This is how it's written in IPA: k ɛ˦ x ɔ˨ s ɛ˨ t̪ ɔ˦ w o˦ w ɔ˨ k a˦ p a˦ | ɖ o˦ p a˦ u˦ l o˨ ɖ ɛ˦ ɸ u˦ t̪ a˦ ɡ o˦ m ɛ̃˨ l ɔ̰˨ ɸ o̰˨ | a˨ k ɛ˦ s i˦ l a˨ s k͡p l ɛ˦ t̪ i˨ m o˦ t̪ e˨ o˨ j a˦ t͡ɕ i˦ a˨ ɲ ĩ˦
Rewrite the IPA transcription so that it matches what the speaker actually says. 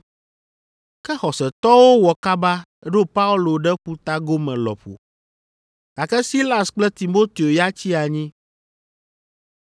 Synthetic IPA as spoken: k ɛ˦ x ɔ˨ s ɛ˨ t̪ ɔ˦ w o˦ w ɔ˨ k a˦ b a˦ | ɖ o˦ p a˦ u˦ l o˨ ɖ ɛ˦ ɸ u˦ t̪ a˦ ɡ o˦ m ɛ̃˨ l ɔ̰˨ ɸ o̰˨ | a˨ k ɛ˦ s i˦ l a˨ s k͡p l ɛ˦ t̪ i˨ m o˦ t̪ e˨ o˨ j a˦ t͡ɕ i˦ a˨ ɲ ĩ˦